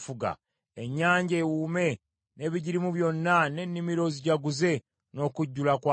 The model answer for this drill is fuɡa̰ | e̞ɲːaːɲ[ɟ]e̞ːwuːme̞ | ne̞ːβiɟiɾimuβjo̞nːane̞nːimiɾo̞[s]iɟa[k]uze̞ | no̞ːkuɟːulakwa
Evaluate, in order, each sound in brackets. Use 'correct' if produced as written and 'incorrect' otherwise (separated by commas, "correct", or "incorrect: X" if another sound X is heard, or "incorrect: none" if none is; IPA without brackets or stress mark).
correct, incorrect: z, incorrect: ɡ